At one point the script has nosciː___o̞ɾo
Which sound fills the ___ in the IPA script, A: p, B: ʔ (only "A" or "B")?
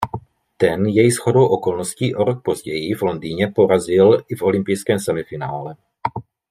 B